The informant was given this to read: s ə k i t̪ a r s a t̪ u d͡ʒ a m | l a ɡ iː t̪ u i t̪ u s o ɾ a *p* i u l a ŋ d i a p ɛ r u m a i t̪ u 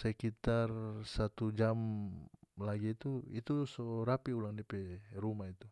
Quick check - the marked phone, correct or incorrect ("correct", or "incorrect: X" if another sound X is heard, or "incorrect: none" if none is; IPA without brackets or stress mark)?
correct